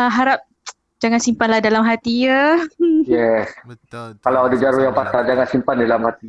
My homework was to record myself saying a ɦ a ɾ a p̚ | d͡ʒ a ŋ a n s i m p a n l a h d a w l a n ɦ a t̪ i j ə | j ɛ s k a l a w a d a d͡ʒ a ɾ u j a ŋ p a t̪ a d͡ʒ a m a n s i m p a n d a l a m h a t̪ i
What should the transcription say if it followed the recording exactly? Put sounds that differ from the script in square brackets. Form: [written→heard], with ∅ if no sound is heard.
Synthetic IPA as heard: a ɦ a ɾ a p̚ | d͡ʒ a ŋ a n s i m p a n l a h d a [w→∅] l a [n→m] ɦ a t̪ i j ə | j ɛ s k a l a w a d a d͡ʒ a ɾ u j a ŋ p a t̪ a d͡ʒ a [m→ŋ] a n s i m p a n d a l a m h a t̪ i